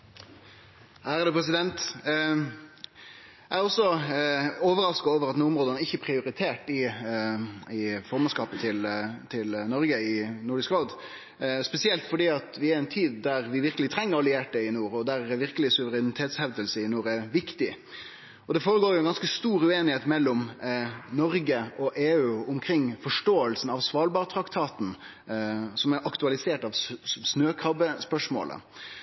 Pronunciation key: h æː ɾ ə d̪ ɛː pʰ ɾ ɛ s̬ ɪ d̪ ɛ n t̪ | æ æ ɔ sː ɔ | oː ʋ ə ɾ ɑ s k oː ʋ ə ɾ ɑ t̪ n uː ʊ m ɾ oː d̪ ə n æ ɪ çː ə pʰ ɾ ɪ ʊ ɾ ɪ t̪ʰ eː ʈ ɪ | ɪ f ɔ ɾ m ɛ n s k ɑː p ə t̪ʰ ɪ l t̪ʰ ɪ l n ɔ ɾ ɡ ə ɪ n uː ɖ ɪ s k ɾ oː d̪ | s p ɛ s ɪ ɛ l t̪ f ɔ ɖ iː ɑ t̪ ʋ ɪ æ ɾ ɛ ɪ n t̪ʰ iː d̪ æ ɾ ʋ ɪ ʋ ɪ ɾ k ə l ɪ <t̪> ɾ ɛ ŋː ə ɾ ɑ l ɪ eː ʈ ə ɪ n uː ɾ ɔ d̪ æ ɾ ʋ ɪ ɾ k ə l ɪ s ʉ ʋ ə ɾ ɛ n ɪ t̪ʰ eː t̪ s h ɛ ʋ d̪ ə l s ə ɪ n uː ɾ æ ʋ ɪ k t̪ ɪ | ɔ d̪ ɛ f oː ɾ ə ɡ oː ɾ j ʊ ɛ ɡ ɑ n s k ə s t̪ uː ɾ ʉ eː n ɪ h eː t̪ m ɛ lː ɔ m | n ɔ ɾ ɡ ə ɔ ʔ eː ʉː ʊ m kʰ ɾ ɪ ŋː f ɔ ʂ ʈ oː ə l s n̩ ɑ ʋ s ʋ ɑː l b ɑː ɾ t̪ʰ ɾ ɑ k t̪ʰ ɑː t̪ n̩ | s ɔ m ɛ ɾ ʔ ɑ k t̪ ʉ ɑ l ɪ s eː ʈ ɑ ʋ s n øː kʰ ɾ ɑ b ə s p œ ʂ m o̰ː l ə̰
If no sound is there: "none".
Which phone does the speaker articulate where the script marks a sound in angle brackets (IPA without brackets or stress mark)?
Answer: t̪ʰ